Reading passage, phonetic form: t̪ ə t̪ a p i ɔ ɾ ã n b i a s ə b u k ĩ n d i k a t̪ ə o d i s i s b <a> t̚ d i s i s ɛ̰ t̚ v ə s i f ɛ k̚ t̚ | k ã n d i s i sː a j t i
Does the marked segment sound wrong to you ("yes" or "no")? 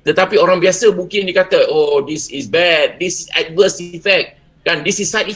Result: yes